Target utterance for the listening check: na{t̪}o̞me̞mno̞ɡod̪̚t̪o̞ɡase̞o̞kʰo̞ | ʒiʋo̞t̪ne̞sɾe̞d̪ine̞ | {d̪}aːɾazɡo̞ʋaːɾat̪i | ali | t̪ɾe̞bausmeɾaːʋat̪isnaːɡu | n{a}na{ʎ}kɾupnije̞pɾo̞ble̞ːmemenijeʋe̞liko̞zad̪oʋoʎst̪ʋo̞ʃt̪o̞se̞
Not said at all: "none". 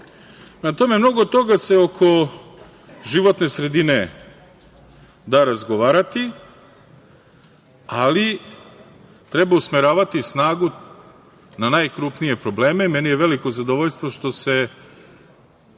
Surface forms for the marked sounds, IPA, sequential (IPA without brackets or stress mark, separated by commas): t̪, d̪, a, j